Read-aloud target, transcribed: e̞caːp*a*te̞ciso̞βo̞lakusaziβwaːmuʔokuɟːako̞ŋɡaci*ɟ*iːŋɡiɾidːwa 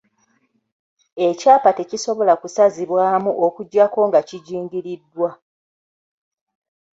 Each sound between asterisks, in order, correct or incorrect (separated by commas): correct, correct